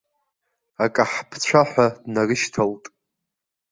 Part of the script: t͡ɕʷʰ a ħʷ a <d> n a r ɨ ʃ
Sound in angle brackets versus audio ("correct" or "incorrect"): correct